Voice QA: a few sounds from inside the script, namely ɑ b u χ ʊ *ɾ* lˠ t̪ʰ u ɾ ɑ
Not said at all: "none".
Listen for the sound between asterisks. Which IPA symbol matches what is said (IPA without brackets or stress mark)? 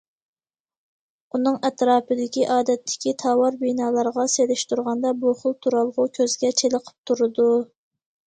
none